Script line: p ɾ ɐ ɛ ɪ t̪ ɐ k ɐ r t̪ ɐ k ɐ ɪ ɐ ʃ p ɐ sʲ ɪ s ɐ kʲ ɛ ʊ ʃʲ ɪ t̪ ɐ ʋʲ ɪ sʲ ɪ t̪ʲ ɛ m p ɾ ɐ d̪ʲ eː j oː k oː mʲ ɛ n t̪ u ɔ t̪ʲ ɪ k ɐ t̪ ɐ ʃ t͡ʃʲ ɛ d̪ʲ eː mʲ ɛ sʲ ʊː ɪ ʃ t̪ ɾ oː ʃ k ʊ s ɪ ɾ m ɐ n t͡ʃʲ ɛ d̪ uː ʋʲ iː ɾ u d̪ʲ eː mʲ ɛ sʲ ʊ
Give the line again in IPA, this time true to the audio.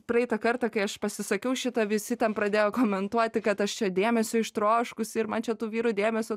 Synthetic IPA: p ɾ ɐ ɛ ɪ t̪ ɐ k ɐ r t̪ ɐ k ɐ ɪ ɐ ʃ p ɐ sʲ ɪ s ɐ kʲ ɛ ʊ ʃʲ ɪ t̪ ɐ ʋʲ ɪ sʲ ɪ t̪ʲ ɛ n p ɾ ɐ d̪ʲ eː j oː k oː mʲ ɛ n t̪ u ɔ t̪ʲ ɪ k ɐ t̪ ɐ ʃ t͡ʃʲ ɛ d̪ʲ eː mʲ ɛ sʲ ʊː ɪ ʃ t̪ ɾ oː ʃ k ʊ s ɪ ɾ m ɐ n t͡ʃʲ ɛ t̪ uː ʋʲ iː ɾ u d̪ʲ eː mʲ ɛ sʲ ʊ